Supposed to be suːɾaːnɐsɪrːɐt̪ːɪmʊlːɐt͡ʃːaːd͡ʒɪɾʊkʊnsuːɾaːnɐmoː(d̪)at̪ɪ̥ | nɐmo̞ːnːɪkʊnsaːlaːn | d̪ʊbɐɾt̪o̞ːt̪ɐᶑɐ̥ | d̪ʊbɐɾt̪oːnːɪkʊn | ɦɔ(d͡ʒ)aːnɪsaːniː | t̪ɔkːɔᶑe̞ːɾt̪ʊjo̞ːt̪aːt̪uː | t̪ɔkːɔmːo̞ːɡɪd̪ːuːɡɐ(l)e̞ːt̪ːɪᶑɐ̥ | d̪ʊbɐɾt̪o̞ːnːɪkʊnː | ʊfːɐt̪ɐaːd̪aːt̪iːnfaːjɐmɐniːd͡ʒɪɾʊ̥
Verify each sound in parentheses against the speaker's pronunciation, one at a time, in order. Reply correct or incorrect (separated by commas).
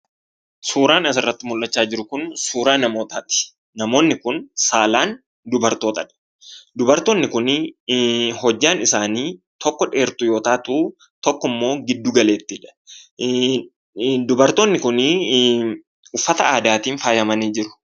incorrect, incorrect, correct